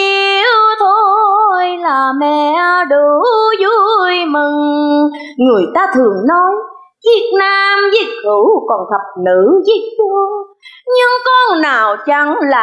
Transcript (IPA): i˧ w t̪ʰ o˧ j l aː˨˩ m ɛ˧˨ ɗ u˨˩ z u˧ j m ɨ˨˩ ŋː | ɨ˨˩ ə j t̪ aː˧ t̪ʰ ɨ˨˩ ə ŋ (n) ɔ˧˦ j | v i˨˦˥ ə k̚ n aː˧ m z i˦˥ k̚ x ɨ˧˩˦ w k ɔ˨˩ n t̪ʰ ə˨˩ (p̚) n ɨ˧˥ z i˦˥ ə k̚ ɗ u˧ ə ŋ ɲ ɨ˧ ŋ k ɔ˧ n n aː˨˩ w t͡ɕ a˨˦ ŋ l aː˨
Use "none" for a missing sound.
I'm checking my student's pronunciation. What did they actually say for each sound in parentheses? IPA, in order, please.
n, p̚

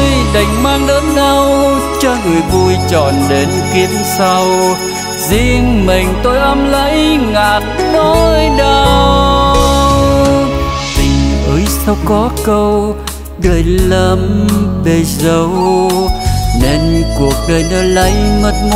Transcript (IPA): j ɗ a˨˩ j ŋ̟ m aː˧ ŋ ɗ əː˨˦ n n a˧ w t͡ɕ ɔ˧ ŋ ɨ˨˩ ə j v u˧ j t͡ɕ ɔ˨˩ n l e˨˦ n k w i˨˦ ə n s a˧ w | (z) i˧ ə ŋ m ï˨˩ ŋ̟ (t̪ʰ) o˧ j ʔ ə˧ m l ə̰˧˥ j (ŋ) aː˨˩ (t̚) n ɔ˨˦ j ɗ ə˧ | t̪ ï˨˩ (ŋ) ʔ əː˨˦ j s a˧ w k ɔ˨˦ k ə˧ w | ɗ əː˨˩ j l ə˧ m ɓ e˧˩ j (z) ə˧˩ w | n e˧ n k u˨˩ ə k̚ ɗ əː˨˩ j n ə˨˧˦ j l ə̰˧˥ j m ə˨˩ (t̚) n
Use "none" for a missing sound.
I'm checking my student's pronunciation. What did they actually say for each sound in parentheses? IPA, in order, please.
z, t̪, ŋ, t̚, ŋ, z, t̚

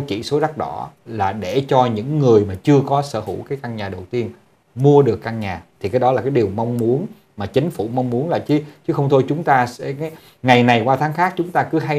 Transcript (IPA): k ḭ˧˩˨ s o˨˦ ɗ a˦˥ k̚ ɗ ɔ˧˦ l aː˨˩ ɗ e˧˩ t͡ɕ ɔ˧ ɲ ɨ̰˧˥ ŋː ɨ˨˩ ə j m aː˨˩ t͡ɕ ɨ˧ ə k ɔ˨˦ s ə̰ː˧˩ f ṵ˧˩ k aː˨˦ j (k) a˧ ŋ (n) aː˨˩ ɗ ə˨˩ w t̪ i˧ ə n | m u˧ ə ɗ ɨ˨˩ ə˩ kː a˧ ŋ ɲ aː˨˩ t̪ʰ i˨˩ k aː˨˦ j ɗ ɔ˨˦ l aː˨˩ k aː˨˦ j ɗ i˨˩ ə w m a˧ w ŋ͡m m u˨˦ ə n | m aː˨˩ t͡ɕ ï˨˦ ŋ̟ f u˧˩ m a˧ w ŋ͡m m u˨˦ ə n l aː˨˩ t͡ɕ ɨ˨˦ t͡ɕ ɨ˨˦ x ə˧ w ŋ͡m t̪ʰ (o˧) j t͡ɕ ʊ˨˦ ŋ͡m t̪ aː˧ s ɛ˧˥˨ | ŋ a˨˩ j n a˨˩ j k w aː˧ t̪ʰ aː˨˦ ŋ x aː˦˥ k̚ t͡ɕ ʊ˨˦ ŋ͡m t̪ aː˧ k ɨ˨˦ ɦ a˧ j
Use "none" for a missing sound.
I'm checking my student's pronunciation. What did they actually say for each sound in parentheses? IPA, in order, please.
k, ɲ, o˧

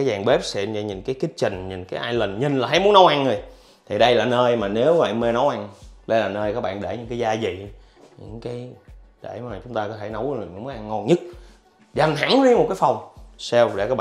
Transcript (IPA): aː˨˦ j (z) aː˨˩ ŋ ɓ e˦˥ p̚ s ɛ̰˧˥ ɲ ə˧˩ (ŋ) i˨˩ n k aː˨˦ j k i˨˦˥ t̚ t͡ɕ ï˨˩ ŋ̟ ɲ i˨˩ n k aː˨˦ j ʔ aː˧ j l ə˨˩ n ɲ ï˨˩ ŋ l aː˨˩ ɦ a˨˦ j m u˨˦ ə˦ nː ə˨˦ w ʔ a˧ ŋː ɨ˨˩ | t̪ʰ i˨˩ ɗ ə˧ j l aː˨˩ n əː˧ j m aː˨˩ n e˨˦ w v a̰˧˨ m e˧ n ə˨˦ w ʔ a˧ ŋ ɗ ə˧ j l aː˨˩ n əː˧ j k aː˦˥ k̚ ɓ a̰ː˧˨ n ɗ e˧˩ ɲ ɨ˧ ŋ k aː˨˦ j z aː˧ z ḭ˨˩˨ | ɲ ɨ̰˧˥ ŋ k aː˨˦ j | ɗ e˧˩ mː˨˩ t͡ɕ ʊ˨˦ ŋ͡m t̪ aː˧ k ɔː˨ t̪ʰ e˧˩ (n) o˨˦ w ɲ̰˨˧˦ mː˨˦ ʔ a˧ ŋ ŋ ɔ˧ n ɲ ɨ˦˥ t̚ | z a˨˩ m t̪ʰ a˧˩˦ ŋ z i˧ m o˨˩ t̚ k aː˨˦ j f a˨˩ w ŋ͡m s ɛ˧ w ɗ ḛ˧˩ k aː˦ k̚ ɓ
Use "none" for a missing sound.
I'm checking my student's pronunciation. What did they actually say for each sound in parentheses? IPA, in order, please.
z, ɲ, n

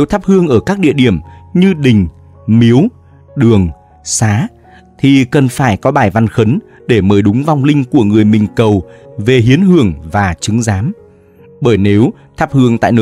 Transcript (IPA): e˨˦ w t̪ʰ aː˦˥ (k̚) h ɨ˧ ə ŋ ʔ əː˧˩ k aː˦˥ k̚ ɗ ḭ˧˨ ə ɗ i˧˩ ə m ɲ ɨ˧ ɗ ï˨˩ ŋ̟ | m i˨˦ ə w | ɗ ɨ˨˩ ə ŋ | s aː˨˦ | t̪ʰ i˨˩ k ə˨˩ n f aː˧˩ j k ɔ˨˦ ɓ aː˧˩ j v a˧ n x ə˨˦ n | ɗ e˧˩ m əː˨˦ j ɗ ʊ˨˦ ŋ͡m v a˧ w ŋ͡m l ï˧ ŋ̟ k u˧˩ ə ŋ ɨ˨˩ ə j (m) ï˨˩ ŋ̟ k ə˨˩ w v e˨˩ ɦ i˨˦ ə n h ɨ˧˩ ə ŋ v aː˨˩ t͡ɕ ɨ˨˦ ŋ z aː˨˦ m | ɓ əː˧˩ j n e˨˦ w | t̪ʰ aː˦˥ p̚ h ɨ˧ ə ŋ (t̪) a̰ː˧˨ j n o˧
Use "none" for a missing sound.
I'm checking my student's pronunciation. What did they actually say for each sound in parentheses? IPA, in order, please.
p̚, m, t̪

